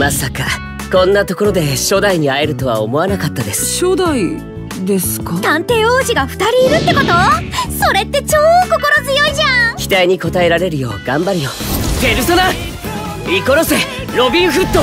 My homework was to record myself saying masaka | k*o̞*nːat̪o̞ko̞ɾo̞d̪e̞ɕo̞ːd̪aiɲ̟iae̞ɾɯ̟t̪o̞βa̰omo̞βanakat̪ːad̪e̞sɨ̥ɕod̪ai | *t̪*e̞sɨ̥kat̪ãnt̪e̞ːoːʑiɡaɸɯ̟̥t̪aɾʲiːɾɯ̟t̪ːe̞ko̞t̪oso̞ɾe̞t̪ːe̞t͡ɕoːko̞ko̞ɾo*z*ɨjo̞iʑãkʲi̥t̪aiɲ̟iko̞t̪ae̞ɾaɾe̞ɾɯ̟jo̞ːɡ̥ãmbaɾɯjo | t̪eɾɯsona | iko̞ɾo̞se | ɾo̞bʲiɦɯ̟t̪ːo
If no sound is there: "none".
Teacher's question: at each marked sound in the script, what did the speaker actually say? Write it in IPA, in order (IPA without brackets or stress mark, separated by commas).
õ̞, d̪, z